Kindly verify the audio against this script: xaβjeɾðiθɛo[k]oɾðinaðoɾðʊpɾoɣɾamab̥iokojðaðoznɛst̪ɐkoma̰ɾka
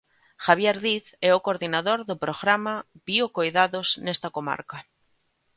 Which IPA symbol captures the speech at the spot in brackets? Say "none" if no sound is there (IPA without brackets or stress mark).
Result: k